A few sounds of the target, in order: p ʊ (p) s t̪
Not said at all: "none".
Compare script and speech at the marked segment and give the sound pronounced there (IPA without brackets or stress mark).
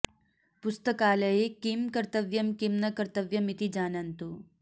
none